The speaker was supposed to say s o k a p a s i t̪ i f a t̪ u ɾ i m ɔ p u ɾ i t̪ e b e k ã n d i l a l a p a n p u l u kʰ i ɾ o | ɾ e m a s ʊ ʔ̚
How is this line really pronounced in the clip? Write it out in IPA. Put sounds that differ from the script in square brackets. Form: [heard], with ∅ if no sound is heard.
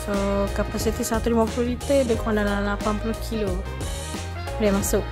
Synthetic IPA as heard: s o k a p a s i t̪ i [s] a t̪ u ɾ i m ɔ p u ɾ i t̪ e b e k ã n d [a] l a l a p a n p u l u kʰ i [l] o | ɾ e m a s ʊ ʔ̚